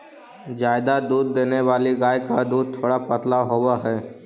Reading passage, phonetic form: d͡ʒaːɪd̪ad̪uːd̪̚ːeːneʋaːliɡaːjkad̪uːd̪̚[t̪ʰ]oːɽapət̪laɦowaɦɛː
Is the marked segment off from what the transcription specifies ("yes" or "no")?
no